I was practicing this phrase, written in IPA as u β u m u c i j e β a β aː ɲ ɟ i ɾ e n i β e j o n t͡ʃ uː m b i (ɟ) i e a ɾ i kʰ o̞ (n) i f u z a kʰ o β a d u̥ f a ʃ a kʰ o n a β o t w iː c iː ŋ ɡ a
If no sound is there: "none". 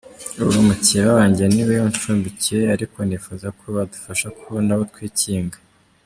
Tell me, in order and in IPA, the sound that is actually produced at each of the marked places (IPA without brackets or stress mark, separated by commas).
c, n